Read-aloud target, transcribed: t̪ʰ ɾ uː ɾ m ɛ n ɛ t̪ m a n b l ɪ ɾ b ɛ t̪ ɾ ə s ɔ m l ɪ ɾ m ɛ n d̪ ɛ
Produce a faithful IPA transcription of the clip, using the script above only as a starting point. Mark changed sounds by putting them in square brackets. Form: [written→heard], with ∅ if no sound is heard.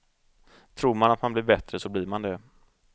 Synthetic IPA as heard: t̪ʰ ɾ uː ɾ m [ɛ→a] n [ɛ→a] t̪ m a n b l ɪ ɾ b ɛ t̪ ɾ ə s ɔ [m→b] l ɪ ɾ m [ɛ→a] n d̪ ɛ